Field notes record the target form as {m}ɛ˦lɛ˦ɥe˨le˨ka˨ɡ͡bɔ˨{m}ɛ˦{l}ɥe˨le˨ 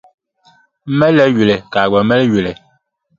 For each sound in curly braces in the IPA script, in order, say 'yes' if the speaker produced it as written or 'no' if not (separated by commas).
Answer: yes, yes, yes